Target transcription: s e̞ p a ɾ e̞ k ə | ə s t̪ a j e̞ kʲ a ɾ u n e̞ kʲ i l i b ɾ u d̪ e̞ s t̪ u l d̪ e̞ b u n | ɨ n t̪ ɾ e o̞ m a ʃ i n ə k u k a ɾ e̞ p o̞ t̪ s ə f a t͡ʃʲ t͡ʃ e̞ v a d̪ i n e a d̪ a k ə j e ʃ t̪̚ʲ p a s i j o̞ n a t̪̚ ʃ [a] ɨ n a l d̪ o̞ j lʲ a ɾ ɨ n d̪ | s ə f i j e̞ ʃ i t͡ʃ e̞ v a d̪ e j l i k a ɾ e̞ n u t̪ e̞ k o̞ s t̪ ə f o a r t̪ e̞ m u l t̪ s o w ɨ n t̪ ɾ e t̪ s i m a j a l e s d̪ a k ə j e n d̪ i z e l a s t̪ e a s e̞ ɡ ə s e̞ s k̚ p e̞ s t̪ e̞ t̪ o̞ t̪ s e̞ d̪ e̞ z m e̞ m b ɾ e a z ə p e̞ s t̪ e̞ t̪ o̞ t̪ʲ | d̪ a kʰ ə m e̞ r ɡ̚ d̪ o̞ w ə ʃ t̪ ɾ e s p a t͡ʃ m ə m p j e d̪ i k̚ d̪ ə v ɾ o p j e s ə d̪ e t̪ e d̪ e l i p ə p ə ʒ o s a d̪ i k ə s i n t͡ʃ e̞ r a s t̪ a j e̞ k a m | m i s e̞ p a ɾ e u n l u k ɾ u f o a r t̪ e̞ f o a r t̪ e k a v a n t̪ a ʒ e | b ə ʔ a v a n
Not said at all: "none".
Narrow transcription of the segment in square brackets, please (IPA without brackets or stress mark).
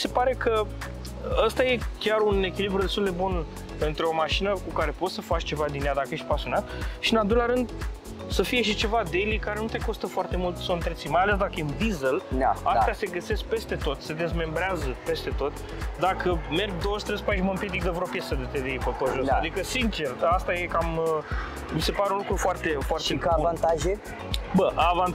i